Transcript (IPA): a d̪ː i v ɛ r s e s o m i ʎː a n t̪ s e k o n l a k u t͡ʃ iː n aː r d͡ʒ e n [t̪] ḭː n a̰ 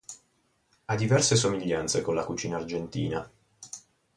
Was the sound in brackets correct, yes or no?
yes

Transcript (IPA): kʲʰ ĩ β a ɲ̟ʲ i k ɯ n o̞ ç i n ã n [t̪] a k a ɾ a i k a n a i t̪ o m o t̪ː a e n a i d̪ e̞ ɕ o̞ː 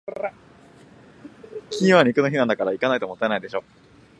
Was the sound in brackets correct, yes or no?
no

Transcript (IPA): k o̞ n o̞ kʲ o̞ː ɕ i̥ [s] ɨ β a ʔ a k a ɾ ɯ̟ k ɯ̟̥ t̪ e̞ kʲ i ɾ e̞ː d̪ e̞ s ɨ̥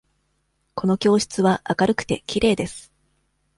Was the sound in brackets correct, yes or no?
no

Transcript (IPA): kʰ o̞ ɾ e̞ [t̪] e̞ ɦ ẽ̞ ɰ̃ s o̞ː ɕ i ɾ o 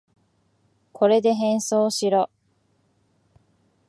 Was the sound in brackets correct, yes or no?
no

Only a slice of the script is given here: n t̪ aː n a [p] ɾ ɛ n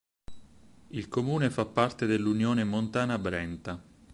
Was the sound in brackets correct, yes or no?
no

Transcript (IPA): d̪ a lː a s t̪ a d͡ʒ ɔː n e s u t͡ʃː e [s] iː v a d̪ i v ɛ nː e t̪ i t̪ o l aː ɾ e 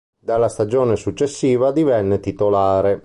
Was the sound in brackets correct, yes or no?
no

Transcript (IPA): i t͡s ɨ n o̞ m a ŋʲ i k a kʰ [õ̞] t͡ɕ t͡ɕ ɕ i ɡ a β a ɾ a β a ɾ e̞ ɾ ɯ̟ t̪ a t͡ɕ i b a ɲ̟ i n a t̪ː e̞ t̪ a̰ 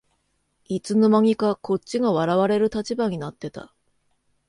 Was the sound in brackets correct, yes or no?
no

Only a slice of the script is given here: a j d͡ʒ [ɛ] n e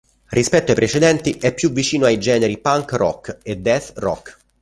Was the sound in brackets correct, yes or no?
no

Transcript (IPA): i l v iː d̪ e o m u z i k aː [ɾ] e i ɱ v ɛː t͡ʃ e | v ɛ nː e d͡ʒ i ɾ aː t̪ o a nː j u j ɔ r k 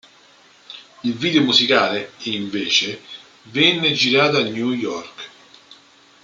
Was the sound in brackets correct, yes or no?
no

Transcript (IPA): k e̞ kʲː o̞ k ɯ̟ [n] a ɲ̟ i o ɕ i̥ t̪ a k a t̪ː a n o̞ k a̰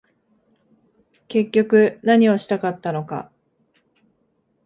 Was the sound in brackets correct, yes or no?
yes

